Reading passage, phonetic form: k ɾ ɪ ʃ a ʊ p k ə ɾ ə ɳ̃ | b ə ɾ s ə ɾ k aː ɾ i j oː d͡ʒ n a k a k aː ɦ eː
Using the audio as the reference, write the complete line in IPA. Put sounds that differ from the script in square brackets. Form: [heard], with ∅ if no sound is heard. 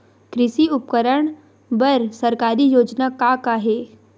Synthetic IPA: k ɾ ɪ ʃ [i] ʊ p k ə ɾ ə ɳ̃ | b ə ɾ s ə ɾ k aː ɾ i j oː d͡ʒ n a k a k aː ɦ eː